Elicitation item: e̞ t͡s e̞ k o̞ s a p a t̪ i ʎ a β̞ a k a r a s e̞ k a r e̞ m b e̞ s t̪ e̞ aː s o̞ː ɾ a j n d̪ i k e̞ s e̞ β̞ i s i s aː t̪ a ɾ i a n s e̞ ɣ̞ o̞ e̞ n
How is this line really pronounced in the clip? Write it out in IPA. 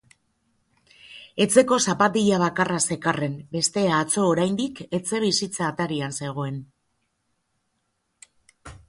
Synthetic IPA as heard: e̞ t͡s e̞ k o̞ s a p a t̪ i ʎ a β̞ a k a r a s e̞ k a r e̞ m b e̞ s t̪ e̞ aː t͡s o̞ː ɾ a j n d̪ i k e̞ t͡s e̞ β̞ i s i t͡s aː t̪ a ɾ i a n s e̞ ɣ̞ o̞ e̞ n